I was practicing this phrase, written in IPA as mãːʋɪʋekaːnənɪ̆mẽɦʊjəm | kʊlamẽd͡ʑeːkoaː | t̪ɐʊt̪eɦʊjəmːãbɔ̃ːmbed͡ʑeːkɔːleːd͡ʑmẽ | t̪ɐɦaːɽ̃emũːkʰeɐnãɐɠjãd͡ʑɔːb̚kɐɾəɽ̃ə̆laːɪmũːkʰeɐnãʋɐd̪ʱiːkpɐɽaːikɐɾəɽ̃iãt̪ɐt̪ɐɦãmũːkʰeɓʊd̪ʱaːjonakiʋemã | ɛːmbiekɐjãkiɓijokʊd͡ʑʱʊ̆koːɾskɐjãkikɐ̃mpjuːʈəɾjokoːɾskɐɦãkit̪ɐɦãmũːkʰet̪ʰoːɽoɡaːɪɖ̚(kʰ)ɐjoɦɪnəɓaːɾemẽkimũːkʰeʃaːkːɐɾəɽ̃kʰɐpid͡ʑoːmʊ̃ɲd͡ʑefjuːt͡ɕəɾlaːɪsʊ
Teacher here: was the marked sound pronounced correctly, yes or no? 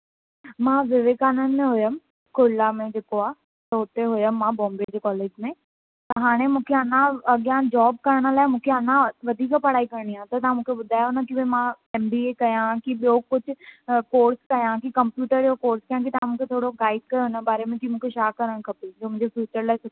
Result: no